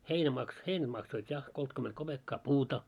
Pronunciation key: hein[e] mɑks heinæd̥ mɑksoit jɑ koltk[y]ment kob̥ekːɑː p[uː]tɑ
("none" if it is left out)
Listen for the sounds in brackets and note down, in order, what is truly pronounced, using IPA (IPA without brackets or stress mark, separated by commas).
æ, y, uː